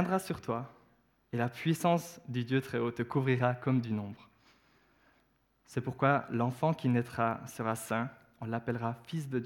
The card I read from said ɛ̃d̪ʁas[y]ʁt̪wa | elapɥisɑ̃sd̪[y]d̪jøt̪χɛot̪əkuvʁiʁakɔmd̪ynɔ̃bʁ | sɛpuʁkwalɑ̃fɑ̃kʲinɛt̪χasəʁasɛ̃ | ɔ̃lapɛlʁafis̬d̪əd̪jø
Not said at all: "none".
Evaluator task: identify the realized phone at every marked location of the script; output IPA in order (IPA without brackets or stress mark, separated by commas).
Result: y, y